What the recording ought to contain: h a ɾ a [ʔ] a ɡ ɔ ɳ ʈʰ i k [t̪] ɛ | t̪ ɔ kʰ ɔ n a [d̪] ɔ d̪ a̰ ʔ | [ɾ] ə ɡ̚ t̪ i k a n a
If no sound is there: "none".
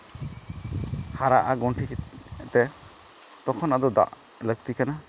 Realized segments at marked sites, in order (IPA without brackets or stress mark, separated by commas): ʔ, t̪, d̪, l